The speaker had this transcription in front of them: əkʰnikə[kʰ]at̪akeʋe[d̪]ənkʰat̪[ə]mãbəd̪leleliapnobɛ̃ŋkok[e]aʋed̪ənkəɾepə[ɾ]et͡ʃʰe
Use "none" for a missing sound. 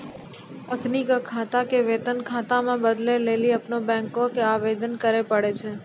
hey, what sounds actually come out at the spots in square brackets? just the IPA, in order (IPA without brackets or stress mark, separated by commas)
kʰ, t̪, a, e, ɽ